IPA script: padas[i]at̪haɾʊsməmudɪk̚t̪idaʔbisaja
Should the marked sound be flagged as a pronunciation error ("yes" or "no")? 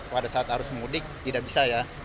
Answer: yes